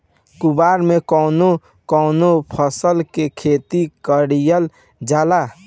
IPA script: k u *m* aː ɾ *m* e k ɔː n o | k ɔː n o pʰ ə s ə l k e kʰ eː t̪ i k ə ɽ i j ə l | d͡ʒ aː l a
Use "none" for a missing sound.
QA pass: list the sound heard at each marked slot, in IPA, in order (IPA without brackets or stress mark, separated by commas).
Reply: b, m